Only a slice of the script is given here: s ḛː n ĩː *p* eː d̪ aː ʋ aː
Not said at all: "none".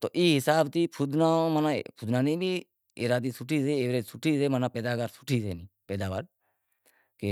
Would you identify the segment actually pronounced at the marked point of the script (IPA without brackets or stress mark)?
p